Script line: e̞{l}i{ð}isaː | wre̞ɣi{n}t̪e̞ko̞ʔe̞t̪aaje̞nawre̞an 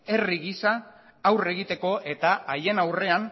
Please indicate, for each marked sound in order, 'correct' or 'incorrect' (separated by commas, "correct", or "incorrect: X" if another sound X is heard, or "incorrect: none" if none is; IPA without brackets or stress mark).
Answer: incorrect: r, incorrect: ɣ, incorrect: none